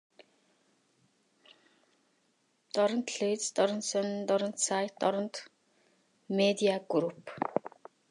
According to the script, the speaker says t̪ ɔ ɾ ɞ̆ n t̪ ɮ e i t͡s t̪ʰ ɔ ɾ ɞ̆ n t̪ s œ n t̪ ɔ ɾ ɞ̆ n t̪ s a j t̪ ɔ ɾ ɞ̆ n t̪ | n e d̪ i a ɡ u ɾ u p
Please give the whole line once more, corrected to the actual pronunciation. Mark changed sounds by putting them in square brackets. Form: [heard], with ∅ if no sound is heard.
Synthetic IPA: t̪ ɔ ɾ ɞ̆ n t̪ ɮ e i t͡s [t̪] ɔ ɾ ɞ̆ n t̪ s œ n t̪ ɔ ɾ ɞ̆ n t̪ s a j t̪ ɔ ɾ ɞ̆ n t̪ | [m] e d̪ i a ɡ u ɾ u p